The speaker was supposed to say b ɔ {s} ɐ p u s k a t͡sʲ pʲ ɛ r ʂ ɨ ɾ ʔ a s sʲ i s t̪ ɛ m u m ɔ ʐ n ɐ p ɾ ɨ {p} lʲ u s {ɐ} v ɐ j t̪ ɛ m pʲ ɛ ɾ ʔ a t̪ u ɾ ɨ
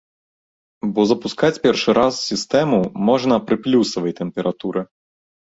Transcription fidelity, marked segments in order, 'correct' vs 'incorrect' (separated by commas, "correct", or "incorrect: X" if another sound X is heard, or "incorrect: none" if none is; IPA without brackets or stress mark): incorrect: z, correct, correct